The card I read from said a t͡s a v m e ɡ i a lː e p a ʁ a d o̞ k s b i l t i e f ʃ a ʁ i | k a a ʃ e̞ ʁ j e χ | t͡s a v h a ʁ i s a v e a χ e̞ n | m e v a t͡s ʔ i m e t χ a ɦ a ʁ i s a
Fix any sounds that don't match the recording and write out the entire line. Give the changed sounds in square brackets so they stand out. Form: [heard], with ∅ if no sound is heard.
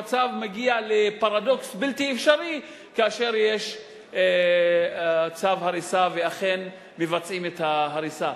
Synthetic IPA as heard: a t͡s a v m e ɡ i a [l] e p a ʁ a d o̞ k s b i l t i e f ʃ a ʁ i | k a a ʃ e̞ ʁ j e [ʃ] | t͡s a v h a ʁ i s a v e a χ e̞ n | m e v a t͡s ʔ i m e t [h] a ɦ a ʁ i s a